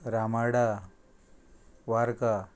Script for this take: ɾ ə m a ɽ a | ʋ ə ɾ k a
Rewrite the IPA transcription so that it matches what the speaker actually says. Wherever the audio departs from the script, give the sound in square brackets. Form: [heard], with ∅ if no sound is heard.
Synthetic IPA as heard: ɾ [a] m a ɽ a | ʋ [a] ɾ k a